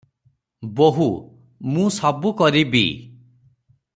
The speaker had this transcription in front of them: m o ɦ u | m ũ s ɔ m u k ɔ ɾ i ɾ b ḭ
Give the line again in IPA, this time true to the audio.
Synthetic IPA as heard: b o ɦ u | m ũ s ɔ b u k ɔ ɾ i b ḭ